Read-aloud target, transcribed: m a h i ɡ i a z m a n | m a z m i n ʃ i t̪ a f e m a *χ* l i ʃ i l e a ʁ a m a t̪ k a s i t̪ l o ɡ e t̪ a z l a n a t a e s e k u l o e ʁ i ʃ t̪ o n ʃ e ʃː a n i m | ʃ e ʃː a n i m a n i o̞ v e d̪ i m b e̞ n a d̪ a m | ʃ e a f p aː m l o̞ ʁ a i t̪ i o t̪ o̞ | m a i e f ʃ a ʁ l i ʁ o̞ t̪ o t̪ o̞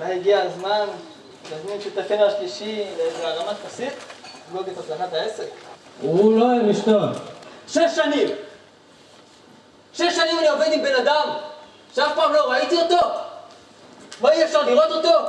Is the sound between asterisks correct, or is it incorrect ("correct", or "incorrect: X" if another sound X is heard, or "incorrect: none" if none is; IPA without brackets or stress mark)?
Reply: incorrect: ʃ